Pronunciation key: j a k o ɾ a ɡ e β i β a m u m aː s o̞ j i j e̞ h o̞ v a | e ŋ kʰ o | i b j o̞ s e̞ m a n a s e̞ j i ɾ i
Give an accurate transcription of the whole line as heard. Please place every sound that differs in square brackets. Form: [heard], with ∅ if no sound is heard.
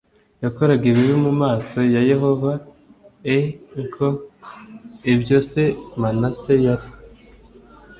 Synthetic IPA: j a k o ɾ a ɡ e β i β [i] m u m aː s o̞ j [a] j e̞ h o̞ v a | e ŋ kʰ o | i b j o̞ s e̞ m a n a s e̞ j [a] ɾ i